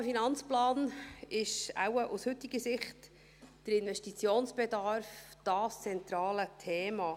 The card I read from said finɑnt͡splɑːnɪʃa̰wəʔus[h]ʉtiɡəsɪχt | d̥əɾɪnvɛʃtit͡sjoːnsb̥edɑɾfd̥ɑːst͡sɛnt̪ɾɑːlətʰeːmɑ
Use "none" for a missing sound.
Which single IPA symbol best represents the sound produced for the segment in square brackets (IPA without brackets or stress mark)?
h